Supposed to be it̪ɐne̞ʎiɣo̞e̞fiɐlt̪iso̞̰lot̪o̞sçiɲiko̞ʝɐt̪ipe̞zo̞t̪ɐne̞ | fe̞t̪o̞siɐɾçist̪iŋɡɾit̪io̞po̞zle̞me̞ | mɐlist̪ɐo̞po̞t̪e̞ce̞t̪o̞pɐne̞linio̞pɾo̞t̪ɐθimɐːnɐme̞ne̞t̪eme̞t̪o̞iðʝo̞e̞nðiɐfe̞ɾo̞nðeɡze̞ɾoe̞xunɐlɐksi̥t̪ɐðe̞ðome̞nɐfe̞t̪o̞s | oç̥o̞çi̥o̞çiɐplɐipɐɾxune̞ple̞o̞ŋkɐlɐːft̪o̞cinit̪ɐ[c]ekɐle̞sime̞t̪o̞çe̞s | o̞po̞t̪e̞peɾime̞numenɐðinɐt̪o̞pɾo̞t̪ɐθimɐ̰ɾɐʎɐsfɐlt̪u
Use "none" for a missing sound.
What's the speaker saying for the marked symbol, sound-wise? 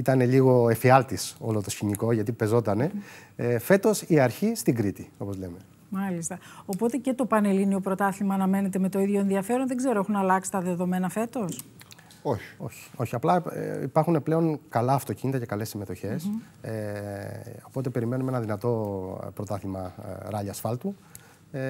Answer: c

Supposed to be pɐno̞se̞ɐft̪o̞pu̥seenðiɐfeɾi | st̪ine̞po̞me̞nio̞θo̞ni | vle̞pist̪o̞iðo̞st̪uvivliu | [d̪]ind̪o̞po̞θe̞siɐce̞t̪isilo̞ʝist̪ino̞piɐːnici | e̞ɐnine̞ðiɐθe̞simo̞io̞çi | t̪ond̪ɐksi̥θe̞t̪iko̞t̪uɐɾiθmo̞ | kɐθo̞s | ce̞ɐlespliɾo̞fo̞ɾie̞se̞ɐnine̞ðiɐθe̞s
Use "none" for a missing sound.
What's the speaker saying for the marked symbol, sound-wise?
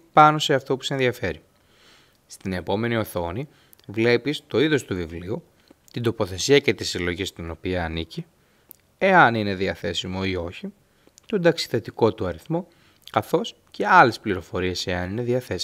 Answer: t̪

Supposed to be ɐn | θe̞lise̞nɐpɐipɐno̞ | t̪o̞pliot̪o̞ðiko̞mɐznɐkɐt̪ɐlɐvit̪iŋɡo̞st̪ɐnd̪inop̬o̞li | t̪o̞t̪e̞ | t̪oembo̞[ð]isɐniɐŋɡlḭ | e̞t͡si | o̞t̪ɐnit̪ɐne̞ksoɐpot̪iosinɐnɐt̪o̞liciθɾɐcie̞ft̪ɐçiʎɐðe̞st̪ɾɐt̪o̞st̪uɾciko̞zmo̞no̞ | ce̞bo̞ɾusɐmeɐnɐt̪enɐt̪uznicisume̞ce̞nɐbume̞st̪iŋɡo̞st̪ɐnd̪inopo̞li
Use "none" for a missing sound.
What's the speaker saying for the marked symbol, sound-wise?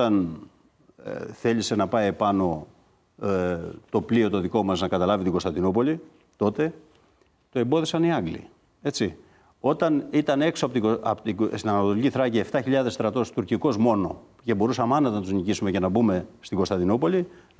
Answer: ð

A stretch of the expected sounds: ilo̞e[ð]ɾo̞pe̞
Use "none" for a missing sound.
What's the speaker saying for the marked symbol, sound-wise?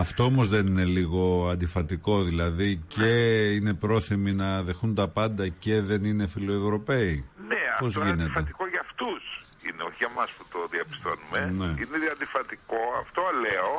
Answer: v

